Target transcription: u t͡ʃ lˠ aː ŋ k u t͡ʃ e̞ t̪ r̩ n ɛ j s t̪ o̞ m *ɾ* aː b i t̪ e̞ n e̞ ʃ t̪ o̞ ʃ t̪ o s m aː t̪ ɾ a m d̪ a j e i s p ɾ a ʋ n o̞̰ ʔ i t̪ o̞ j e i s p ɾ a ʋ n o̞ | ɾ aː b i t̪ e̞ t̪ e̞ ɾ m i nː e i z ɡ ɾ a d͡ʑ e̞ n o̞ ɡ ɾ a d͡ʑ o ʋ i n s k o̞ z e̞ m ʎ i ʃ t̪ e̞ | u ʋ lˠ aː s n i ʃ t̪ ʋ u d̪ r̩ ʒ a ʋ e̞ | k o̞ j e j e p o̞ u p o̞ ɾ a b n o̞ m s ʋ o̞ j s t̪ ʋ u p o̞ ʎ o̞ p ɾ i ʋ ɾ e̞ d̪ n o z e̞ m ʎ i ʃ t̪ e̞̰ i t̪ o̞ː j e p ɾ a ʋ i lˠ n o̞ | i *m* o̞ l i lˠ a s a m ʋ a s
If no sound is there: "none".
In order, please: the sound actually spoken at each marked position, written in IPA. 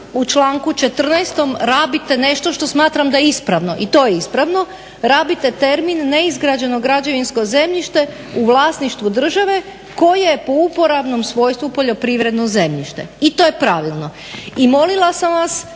ɾ, m

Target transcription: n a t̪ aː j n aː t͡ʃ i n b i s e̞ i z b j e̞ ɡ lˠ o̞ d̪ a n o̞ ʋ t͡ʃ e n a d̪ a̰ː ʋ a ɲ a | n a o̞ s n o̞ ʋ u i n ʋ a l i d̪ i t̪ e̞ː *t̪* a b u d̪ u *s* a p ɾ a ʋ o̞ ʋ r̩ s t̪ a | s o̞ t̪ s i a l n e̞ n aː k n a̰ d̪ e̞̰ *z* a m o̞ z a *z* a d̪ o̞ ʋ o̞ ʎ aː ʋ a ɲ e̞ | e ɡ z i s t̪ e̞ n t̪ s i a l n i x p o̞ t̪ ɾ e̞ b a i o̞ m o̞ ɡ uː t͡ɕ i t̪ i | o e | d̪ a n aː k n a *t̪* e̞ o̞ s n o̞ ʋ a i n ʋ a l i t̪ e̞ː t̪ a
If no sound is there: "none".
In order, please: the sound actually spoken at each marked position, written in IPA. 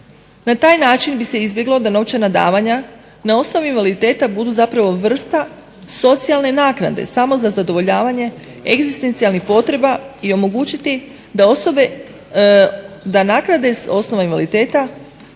t̪, z, s, z, d̪

